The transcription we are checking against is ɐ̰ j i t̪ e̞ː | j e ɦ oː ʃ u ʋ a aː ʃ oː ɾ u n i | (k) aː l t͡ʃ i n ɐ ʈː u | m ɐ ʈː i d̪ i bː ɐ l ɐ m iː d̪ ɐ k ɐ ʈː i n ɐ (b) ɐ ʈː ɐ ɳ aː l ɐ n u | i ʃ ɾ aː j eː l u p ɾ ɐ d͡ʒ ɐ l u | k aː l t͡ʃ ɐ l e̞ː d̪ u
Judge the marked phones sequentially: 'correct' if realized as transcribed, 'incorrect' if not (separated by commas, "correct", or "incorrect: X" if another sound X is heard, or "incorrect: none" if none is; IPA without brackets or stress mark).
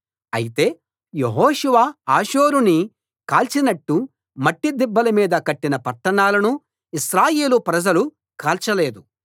correct, incorrect: p